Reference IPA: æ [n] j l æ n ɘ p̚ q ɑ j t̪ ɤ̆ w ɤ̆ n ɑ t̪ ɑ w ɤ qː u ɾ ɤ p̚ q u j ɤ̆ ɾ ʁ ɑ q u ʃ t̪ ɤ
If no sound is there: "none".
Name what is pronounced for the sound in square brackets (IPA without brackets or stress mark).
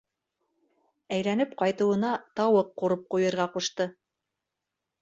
none